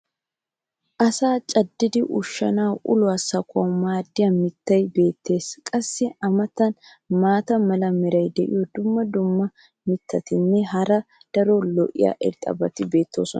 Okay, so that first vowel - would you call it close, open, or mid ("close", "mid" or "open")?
open